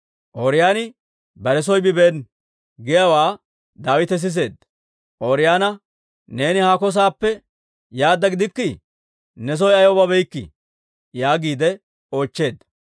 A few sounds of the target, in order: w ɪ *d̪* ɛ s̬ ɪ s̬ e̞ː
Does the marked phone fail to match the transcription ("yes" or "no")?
yes